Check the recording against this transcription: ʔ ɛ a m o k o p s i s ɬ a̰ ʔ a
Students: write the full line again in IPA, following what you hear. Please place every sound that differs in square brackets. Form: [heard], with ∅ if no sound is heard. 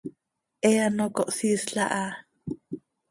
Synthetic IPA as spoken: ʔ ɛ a [n] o k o [ʔ] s i s ɬ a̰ ʔ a

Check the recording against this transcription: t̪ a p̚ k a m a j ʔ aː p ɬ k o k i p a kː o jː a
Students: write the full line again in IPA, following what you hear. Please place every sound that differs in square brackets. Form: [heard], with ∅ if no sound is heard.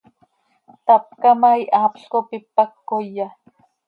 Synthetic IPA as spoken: t̪ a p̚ k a m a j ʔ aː p ɬ k o [p] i p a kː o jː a

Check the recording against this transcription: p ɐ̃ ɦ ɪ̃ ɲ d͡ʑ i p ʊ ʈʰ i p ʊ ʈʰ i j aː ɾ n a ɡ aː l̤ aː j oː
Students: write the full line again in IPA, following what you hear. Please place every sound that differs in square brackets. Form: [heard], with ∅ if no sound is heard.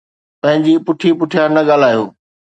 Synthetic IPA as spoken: p ɐ̃ ɦ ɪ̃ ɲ d͡ʑ i p ʊ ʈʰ i p ʊ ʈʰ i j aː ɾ n [ɐ] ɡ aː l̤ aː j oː

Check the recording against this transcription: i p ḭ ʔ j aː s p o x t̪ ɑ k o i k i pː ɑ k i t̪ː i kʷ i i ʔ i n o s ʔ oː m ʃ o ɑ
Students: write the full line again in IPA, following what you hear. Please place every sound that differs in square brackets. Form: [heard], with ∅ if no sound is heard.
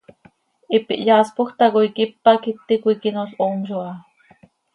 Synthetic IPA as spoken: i p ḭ ʔ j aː s p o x t̪ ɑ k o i k i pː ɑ k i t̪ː i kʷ i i [k] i n o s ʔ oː m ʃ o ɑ

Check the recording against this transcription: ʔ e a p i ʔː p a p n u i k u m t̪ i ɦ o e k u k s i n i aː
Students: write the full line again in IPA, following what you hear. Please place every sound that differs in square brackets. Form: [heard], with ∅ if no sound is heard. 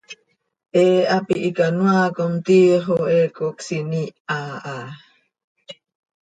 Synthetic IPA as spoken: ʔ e a p i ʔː [k] a [∅] n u [a] k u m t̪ i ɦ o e k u k s i n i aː

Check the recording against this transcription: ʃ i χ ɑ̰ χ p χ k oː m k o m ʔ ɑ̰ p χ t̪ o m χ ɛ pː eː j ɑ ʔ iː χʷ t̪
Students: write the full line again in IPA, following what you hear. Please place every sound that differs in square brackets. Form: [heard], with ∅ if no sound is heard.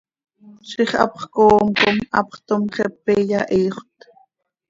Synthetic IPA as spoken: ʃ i χ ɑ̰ [∅] p χ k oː m k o m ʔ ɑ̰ p χ t̪ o m χ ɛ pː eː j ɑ ʔ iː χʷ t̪

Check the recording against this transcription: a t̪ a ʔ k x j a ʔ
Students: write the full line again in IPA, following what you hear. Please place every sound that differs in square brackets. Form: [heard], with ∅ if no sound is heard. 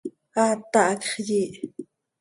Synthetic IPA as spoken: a t̪ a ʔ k [χ] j [i] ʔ

